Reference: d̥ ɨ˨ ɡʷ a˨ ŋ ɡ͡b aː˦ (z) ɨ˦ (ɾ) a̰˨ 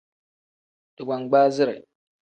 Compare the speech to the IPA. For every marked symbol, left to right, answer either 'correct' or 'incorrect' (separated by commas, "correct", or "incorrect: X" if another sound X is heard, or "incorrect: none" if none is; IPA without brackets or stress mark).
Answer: correct, correct